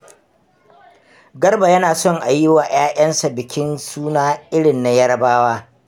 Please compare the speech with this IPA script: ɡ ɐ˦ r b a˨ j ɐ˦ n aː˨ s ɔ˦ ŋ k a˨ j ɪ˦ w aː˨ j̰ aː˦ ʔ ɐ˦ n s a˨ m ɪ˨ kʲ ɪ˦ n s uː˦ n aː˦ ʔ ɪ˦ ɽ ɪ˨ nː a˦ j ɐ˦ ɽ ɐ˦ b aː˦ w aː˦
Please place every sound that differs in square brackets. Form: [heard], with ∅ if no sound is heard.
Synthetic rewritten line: ɡ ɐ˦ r b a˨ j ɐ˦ n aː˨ s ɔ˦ ŋ [ʔ] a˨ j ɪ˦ w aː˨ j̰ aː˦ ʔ ɐ˦ n s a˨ [b] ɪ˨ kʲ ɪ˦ n s uː˦ n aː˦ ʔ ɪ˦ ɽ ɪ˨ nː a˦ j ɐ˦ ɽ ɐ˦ b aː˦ w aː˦